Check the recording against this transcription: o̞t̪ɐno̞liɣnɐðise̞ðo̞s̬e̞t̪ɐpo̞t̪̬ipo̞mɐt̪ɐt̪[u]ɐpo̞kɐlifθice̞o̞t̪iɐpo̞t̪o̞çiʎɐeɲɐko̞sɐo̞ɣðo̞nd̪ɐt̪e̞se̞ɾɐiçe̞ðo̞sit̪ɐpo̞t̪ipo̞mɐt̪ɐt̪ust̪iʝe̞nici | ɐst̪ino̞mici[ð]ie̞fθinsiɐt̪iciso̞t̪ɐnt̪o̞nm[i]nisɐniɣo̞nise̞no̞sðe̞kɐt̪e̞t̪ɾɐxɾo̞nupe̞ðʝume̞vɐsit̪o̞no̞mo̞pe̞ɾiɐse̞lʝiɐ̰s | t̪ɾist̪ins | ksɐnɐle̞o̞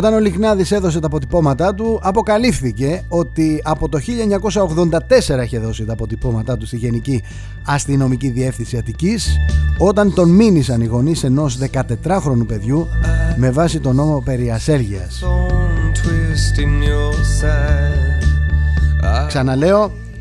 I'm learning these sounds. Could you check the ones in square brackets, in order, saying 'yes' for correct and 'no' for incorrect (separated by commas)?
yes, yes, yes